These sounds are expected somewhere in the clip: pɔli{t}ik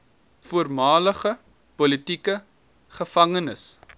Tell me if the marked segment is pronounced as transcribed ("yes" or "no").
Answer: yes